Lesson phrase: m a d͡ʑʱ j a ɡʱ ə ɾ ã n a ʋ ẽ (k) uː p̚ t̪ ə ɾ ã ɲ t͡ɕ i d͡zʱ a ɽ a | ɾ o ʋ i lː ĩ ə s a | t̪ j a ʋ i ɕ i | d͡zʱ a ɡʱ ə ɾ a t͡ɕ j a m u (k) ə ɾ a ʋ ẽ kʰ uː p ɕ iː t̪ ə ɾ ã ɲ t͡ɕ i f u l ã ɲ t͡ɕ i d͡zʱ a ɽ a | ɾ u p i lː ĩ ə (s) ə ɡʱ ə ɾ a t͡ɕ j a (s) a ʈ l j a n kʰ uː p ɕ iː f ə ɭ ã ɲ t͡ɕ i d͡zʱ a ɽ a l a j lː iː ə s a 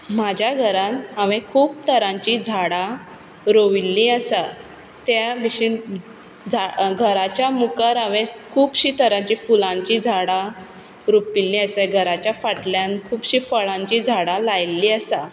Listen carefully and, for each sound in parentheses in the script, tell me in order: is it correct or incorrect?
incorrect: kʰ, correct, correct, incorrect: f

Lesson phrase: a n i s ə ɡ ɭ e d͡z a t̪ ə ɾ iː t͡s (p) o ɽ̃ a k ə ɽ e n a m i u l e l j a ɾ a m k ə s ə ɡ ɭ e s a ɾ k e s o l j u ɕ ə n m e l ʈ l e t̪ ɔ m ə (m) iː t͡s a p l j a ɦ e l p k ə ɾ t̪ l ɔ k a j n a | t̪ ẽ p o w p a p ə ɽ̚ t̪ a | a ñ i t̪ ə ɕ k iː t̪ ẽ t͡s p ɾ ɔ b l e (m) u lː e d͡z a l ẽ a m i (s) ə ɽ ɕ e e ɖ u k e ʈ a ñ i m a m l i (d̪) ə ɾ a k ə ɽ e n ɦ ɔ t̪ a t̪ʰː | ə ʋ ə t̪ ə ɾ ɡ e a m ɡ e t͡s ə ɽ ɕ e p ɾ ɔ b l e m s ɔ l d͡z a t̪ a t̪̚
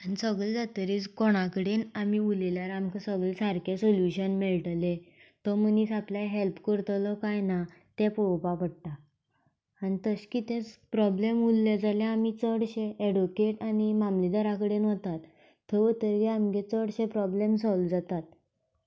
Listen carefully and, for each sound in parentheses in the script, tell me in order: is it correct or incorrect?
incorrect: k, incorrect: n, correct, incorrect: t͡s, correct

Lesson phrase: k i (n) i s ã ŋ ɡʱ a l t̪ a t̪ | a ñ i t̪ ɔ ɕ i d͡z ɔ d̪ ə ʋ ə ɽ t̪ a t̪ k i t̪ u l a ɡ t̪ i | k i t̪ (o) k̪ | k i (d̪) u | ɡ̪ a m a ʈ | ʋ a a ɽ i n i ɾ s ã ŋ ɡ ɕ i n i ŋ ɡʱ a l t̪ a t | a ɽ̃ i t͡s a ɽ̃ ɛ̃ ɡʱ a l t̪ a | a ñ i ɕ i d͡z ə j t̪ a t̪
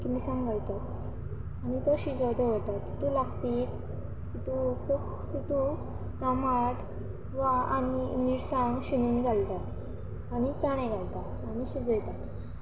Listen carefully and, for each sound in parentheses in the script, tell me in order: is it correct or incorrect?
incorrect: m, incorrect: u, incorrect: t̪

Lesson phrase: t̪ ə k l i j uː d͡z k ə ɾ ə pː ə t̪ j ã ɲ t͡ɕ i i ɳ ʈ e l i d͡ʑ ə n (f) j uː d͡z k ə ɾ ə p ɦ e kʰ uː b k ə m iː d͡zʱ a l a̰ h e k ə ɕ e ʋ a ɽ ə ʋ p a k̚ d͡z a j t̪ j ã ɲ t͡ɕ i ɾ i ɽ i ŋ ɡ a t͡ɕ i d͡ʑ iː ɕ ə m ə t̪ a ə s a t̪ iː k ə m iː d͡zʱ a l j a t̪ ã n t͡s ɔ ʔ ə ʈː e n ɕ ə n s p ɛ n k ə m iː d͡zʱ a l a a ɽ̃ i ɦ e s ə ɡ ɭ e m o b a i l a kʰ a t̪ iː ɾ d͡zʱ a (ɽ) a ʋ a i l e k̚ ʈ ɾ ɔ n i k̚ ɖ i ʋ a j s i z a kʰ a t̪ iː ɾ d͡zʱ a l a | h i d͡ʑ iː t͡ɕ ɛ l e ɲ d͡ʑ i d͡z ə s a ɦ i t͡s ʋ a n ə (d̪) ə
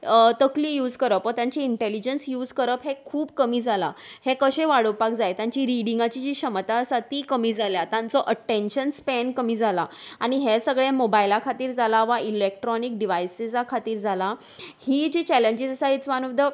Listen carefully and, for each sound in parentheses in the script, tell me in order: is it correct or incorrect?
incorrect: s, incorrect: l, correct

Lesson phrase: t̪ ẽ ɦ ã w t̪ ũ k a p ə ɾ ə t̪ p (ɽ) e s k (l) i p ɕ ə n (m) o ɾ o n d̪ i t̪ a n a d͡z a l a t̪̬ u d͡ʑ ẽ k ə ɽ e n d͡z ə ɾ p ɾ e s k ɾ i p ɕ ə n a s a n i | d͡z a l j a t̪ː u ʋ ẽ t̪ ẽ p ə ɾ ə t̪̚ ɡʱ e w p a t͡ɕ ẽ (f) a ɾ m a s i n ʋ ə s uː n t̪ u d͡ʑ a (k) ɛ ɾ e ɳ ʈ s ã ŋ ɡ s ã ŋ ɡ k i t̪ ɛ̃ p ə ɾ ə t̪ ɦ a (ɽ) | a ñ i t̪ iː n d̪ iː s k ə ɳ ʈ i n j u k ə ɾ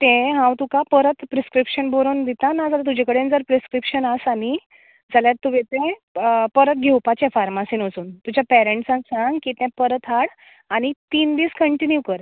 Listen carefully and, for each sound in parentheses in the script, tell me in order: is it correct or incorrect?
incorrect: ɾ, incorrect: ɾ, incorrect: b, correct, incorrect: p, correct

